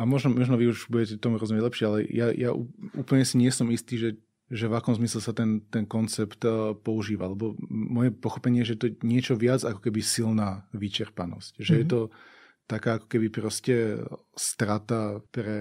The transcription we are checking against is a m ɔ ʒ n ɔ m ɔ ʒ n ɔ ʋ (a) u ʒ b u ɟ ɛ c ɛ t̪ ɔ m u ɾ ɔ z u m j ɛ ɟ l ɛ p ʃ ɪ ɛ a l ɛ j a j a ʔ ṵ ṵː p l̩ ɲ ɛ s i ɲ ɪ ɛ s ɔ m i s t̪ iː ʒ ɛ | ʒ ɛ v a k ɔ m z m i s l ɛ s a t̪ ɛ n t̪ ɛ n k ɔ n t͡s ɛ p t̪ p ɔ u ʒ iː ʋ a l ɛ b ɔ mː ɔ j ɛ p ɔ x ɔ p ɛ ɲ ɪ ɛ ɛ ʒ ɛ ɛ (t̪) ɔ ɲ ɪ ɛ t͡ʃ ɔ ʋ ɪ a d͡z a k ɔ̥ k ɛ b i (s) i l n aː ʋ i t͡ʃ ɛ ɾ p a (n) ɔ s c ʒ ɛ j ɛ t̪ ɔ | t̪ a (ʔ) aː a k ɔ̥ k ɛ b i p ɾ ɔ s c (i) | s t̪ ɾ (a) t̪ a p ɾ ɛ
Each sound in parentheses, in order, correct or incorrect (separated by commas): incorrect, correct, correct, correct, incorrect, incorrect, correct